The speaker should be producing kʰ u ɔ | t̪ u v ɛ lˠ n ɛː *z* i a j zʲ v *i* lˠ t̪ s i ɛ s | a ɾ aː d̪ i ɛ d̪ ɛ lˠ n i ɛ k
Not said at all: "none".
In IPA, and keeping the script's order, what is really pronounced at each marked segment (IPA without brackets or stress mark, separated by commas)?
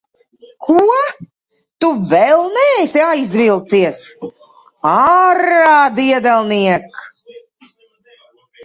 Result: s, i